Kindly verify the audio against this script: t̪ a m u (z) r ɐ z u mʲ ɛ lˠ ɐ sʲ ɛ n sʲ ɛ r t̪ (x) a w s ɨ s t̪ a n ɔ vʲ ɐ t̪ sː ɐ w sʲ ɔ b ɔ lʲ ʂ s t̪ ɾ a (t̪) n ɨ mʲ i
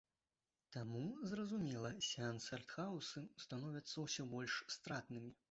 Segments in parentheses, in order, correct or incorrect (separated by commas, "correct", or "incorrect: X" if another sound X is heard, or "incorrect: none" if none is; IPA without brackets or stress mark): correct, correct, correct